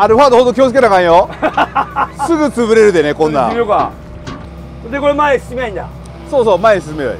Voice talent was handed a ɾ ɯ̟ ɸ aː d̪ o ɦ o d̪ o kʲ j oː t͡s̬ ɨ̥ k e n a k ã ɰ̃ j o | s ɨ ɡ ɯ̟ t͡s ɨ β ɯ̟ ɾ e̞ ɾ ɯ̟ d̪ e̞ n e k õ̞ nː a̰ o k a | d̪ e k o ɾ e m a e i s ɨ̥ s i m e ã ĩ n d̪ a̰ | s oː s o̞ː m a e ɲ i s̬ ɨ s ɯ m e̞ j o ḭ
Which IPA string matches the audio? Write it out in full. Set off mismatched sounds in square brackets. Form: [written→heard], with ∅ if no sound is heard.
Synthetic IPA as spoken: a ɾ ɯ̟ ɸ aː d̪ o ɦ o d̪ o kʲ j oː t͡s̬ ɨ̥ k e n a k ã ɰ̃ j o | s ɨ ɡ ɯ̟ t͡s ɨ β ɯ̟ ɾ e̞ ɾ ɯ̟ d̪ e̞ n e k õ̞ nː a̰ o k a | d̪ e k o ɾ e m a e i s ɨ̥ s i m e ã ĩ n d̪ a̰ | s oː s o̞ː m a e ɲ i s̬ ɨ s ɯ m e̞ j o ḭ